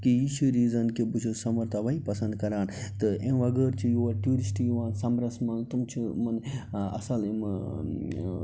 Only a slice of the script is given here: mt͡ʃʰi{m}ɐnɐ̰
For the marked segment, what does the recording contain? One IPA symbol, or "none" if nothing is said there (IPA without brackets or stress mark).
m